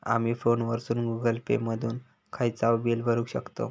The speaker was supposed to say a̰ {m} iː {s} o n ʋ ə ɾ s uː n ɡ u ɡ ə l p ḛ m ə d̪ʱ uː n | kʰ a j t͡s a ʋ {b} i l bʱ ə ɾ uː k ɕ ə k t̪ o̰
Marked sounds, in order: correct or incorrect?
correct, incorrect: f, correct

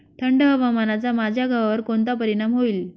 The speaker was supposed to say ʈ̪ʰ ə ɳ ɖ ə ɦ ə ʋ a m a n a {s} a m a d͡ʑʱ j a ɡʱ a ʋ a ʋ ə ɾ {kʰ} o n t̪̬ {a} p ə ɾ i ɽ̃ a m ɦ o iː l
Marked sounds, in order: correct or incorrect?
incorrect: t͡s, incorrect: k, correct

